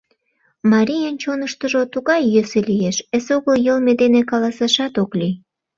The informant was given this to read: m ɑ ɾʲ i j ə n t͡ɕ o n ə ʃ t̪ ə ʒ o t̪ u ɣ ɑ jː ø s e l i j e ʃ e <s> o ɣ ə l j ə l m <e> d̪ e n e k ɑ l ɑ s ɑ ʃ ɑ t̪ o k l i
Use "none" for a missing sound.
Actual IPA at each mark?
s, e

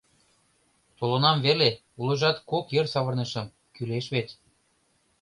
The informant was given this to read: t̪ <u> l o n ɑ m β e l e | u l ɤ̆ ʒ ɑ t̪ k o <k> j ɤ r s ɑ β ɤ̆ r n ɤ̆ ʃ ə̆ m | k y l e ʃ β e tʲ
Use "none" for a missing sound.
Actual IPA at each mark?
o, k

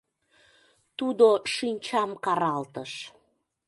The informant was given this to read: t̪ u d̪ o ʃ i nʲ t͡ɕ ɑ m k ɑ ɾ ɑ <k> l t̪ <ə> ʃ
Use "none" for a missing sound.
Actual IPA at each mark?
none, ə

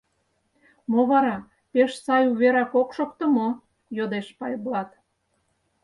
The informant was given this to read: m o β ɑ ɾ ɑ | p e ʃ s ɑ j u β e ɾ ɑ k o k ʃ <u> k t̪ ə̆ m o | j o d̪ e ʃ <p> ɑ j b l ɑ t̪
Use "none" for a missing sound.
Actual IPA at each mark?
o, p

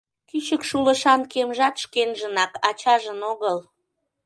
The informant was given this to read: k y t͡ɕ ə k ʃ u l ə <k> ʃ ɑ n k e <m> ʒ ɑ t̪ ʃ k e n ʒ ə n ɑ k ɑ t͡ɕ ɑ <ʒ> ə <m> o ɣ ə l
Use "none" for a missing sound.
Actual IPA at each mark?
none, m, ʒ, n

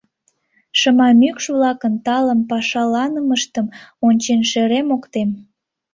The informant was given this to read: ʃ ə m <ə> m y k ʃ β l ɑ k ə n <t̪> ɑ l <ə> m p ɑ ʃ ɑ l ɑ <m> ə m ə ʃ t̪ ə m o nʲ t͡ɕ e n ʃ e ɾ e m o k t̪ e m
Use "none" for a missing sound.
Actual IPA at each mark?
ɑ, t̪, ə, n

